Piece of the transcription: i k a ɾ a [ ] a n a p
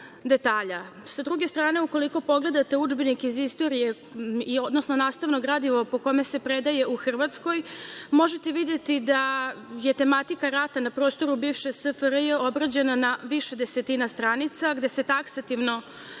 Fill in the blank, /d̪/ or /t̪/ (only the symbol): t̪